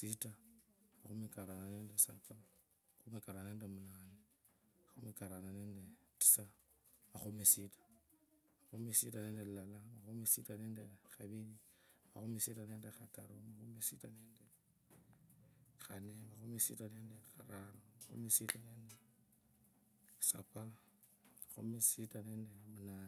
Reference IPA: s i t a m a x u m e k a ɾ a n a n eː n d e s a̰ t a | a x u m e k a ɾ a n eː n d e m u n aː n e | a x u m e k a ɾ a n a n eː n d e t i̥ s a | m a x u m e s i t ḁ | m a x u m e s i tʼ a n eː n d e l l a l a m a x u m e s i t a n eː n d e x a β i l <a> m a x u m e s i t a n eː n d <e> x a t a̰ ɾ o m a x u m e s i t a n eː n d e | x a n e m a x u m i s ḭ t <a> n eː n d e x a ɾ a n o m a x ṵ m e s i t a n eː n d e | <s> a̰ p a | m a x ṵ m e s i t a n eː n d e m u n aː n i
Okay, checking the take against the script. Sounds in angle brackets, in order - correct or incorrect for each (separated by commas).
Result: incorrect, correct, correct, correct